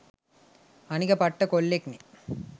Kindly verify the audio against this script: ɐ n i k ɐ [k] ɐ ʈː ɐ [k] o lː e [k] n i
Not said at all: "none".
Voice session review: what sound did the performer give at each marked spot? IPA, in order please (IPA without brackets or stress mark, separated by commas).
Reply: p, k, k